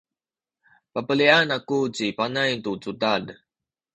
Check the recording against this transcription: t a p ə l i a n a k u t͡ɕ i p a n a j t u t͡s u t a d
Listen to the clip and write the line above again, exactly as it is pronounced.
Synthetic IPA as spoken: p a p ə l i a n a k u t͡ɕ i p a n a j t u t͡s u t a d